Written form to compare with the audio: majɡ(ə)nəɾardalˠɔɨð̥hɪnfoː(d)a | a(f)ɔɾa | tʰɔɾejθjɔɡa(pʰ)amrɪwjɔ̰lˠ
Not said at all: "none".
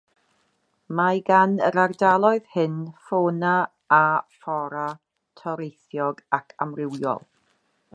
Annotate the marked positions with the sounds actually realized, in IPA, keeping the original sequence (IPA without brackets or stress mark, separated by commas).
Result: a, n, f, kʰ